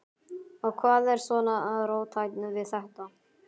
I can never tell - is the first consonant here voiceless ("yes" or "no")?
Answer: no